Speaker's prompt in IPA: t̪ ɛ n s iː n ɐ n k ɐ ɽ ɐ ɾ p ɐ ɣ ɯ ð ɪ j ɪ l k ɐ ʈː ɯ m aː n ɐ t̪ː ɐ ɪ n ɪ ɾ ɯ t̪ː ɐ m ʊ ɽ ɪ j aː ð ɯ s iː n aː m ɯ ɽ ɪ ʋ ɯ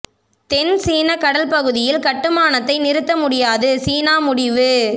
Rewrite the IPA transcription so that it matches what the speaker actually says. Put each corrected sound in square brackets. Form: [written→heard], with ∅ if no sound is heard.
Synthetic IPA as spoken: t̪ ɛ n s iː n ɐ [n→∅] k ɐ ɽ ɐ [ɾ→l] p ɐ ɣ ɯ ð ɪ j ɪ l k ɐ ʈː ɯ m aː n ɐ t̪ː ɐ ɪ n ɪ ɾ ɯ t̪ː ɐ m ʊ ɽ ɪ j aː ð ɯ s iː n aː m [ɯ→ʊ] ɽ ɪ ʋ ɯ